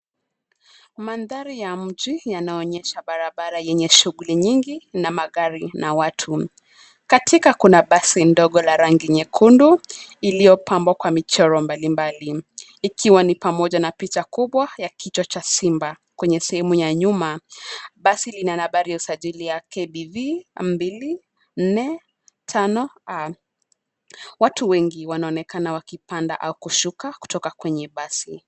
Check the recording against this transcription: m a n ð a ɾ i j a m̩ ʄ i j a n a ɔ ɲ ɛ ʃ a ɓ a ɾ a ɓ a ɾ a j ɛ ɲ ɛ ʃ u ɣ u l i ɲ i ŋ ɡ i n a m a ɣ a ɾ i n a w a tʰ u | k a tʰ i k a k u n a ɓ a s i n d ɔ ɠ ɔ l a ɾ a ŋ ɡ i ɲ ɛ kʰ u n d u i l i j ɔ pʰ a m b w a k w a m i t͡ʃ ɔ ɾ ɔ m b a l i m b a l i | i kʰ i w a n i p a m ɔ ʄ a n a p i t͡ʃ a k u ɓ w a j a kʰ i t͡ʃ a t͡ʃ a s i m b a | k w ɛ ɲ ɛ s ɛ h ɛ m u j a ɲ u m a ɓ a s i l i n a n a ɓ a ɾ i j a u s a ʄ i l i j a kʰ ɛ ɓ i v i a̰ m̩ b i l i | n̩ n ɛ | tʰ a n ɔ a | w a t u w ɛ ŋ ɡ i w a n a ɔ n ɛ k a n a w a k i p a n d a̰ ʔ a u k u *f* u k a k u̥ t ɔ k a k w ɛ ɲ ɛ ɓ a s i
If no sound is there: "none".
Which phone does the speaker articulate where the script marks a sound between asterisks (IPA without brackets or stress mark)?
ʃ